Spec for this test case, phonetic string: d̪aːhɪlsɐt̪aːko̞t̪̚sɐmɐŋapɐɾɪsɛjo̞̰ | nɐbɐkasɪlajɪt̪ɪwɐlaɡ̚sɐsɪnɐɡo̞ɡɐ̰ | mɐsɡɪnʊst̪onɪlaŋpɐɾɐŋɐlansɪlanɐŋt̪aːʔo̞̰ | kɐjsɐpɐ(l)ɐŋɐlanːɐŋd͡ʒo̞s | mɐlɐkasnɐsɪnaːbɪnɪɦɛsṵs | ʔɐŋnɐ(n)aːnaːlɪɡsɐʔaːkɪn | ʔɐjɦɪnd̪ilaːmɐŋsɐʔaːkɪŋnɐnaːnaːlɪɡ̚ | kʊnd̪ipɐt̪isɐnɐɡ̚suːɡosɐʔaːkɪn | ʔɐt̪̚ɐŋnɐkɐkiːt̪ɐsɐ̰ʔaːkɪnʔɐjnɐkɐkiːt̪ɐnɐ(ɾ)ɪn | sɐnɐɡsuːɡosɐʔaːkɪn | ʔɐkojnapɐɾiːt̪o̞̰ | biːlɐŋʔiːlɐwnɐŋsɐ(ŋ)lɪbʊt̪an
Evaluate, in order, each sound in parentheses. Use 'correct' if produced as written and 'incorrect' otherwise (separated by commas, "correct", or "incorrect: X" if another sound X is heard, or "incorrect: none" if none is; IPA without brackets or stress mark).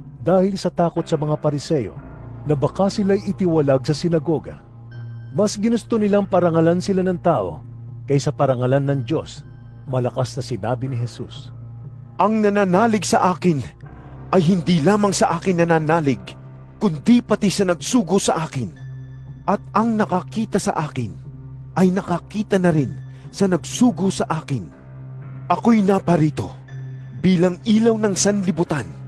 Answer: incorrect: ɾ, correct, correct, incorrect: n